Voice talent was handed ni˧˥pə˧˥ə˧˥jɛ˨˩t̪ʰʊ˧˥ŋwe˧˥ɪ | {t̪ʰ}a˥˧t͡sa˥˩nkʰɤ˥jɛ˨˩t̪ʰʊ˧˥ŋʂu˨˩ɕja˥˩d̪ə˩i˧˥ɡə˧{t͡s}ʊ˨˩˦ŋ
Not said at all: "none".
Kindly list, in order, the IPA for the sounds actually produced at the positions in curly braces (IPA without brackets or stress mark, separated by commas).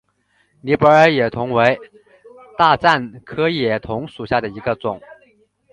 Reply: t̪, t͡s